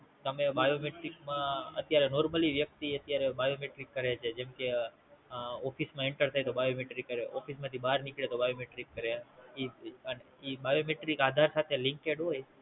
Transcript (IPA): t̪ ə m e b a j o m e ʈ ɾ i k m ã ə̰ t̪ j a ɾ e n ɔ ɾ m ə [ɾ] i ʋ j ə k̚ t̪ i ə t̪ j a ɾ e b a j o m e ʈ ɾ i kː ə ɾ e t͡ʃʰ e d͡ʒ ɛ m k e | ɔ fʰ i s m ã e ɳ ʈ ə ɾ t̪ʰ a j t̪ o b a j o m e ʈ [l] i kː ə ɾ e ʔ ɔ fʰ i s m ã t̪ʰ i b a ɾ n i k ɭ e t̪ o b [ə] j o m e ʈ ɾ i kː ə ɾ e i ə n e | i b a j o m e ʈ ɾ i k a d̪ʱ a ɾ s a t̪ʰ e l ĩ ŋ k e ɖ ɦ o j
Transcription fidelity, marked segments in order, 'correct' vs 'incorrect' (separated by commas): incorrect, incorrect, incorrect